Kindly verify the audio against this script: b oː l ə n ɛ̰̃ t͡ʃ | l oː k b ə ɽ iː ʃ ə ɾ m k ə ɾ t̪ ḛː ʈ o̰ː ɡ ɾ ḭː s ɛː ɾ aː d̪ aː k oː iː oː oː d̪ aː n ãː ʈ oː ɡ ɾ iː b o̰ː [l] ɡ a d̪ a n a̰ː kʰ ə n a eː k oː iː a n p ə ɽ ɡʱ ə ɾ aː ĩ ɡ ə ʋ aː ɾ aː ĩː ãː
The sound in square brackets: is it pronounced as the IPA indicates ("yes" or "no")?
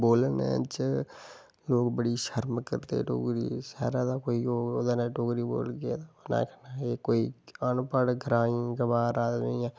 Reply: yes